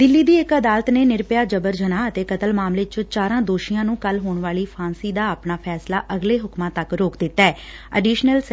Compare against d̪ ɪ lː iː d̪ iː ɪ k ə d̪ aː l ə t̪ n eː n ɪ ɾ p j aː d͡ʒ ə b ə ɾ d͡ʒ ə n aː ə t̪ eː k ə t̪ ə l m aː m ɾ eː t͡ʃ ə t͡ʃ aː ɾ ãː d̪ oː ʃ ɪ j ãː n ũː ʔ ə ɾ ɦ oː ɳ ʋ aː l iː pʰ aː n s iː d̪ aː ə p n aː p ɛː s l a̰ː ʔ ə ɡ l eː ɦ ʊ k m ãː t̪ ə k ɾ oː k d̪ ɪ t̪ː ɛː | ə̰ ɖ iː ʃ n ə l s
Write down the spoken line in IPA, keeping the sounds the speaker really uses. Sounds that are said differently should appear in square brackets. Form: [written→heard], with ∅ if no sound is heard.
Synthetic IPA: d̪ ɪ lː iː d̪ iː ɪ k ə d̪ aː l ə t̪ n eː n ɪ ɾ p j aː d͡ʒ ə b ə ɾ d͡ʒ ə n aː ə t̪ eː k ə t̪ ə l m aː m [ɾ→l] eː t͡ʃ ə t͡ʃ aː ɾ ãː d̪ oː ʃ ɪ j ãː n ũː [ʔ→k] ə [ɾ→l] ɦ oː ɳ ʋ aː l iː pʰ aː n s iː d̪ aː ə p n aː [p→pʰ] ɛː s l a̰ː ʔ ə ɡ l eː ɦ ʊ k m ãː t̪ ə k ɾ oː k d̪ ɪ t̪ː ɛː | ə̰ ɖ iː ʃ n ə l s